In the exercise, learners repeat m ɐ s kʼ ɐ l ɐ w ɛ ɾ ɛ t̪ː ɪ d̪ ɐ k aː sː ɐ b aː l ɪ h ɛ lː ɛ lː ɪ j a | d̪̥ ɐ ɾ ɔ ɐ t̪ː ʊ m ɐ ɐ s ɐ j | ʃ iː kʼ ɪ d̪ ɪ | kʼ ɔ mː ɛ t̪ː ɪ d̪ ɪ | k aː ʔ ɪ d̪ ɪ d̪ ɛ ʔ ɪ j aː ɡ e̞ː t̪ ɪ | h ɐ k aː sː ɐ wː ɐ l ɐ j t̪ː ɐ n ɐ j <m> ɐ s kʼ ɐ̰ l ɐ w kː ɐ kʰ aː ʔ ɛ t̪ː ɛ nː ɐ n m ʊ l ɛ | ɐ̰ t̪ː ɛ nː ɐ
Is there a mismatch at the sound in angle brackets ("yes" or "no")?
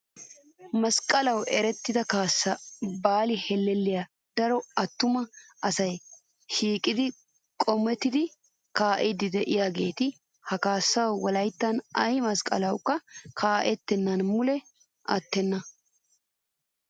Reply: no